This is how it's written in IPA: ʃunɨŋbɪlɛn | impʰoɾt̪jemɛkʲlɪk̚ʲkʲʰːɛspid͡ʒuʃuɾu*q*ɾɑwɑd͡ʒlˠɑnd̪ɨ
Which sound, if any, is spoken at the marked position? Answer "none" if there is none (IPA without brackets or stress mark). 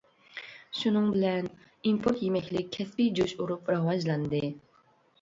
p